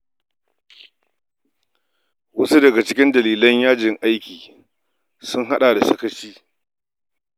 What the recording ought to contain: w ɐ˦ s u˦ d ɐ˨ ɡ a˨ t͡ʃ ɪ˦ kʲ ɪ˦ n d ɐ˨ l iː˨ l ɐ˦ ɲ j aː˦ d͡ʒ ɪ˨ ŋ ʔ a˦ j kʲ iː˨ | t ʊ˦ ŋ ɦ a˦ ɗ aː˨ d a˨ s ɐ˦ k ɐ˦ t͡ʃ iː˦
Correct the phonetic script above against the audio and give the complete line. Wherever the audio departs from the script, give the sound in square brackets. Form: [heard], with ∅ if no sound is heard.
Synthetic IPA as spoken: w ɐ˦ s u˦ d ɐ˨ ɡ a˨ t͡ʃ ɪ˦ kʲ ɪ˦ n d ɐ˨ l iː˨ l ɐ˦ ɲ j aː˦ d͡ʒ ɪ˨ ŋ ʔ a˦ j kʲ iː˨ | [s] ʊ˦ ŋ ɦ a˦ ɗ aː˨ d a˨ s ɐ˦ k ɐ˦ t͡ʃ iː˦